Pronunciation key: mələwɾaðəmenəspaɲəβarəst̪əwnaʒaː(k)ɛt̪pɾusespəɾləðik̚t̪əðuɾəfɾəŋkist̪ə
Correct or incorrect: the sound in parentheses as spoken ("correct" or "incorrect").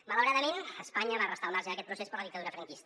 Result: correct